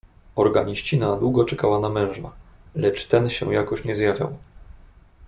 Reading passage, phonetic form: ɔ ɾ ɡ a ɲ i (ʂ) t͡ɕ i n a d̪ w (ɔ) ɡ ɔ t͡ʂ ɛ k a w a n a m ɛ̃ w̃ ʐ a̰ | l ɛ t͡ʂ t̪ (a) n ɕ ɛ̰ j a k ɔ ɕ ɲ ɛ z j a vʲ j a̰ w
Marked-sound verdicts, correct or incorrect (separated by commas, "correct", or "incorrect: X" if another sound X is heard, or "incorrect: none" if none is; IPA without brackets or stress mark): incorrect: ɕ, incorrect: u, incorrect: ɛ